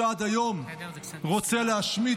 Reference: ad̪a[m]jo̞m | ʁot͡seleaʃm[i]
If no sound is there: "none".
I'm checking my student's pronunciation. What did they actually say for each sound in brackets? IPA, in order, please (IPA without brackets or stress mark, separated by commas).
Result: none, i